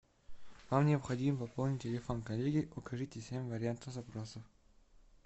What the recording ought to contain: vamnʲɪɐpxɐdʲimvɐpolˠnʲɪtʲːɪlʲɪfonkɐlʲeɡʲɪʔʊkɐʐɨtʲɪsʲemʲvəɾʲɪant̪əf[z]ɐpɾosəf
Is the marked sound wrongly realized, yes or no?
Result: no